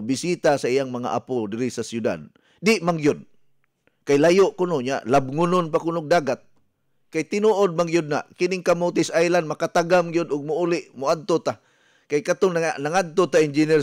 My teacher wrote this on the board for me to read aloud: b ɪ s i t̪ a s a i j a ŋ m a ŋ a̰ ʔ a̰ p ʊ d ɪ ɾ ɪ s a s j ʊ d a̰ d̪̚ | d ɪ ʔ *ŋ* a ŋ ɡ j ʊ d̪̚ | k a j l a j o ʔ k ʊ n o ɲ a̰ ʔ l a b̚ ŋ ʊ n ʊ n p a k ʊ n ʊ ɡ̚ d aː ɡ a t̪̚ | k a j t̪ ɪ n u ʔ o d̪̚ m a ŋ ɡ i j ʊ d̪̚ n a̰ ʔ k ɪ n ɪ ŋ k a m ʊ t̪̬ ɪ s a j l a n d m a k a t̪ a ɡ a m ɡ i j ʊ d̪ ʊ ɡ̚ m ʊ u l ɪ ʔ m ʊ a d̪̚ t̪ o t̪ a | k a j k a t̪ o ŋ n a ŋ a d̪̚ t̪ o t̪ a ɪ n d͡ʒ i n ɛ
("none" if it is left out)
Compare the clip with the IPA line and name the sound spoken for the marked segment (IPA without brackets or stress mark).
m